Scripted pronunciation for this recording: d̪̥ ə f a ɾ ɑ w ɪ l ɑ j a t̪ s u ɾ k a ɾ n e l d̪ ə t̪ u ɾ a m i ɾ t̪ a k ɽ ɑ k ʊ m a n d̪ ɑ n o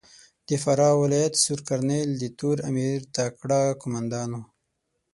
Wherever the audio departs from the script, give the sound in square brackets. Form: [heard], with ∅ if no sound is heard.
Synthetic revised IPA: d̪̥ ə f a ɾ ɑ w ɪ l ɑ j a t̪ s u ɾ k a ɾ n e l d̪ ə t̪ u ɾ a m i ɾ t̪ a k ɽ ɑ k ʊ m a n d̪ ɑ n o

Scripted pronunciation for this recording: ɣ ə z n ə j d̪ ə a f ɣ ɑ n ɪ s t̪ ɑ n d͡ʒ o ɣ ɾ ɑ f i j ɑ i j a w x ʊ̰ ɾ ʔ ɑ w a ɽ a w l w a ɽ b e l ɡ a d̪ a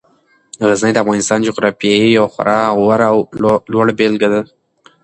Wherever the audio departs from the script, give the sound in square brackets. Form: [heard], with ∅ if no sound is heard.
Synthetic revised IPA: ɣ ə z n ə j d̪ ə a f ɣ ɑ n ɪ s t̪ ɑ n d͡ʒ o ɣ ɾ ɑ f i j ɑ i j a w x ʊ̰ ɾ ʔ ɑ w a [ɾ] a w l w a ɽ b e l ɡ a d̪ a

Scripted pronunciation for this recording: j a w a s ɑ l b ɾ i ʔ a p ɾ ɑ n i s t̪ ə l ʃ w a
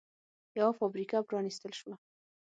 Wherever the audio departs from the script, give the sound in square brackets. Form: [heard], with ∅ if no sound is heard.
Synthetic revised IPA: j a w a [f] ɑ [∅] b ɾ i [k] a p ɾ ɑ n i s t̪ ə l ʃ w a

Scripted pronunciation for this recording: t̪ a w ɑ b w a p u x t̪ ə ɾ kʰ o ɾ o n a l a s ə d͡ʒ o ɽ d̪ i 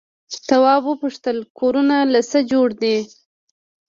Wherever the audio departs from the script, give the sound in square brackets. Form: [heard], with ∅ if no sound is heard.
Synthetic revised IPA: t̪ a w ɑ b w [ə] p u [ʂ] t̪ ə [l] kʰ o ɾ [u] n a l a s ə d͡ʒ o ɽ d̪ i

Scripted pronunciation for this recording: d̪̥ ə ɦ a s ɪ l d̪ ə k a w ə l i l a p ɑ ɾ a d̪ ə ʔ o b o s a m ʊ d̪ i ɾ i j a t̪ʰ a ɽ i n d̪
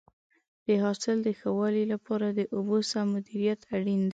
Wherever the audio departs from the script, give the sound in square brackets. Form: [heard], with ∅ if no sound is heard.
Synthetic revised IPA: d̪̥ ə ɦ [ɑ] s ɪ l d̪ ə [x] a w [ɑ] l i l a p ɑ ɾ a d̪ ə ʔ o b o s a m ʊ d̪ i ɾ i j a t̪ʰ a ɽ i n d̪

